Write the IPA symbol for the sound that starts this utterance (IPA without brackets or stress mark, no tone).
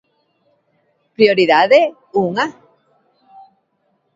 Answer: p